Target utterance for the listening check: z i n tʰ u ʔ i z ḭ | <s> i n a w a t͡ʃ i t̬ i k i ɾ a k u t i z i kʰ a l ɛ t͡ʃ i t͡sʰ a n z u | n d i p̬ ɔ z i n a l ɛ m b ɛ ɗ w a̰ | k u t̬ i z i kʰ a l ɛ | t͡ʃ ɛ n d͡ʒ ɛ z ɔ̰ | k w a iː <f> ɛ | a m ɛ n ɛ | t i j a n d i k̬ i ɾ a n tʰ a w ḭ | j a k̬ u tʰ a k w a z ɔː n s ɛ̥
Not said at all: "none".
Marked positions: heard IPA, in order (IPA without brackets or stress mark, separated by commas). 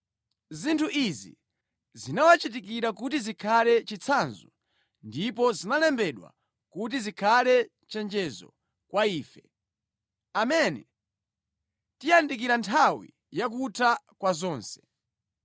z, f